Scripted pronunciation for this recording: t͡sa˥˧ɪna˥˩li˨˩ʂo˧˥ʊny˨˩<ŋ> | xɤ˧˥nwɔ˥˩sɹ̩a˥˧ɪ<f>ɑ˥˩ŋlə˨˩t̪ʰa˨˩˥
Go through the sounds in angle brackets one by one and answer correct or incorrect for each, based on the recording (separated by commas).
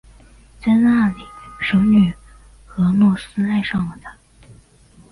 incorrect, incorrect